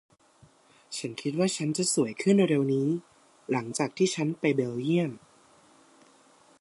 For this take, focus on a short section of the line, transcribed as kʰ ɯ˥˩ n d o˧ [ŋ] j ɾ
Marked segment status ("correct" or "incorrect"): incorrect